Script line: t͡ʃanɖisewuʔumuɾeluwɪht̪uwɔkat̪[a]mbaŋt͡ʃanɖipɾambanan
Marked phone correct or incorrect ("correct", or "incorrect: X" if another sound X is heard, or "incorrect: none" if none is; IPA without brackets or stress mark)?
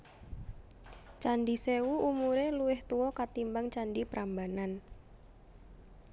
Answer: incorrect: i